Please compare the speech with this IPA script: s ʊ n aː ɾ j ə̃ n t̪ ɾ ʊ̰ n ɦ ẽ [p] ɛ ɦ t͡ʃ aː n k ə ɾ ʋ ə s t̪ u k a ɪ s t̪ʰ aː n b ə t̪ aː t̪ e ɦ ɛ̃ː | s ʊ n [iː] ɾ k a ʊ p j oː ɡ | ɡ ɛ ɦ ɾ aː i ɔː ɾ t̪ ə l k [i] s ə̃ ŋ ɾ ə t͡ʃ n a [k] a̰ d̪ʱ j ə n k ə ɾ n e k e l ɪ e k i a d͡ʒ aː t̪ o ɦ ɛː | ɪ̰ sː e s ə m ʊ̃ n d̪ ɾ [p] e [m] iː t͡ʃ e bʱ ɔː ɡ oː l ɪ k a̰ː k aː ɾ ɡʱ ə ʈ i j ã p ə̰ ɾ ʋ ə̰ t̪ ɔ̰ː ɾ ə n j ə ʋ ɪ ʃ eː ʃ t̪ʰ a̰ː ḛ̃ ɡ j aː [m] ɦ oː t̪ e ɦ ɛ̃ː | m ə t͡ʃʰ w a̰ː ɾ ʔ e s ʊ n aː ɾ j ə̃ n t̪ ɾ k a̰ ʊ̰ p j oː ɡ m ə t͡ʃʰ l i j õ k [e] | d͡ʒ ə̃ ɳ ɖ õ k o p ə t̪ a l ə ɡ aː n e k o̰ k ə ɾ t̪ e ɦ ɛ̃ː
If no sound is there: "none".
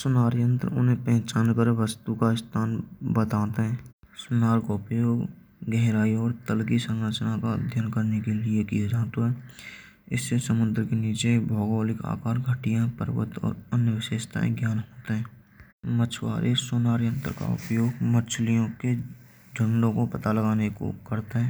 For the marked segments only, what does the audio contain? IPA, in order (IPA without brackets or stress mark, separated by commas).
p, aː, i, k, k, n, n, e